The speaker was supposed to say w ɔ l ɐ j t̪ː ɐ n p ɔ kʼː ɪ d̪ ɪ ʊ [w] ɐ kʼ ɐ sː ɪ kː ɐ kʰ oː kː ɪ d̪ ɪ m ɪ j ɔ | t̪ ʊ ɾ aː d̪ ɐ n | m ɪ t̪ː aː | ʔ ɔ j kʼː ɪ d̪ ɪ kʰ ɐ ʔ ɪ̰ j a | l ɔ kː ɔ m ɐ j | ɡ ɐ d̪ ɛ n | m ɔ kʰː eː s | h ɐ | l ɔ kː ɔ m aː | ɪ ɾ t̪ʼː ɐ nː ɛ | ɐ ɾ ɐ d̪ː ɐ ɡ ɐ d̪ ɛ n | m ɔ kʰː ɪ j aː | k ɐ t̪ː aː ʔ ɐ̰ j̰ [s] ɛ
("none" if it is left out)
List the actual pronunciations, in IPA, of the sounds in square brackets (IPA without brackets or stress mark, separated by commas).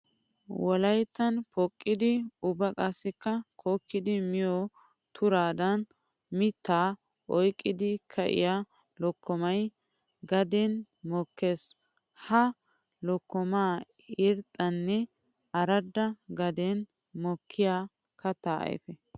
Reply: b, f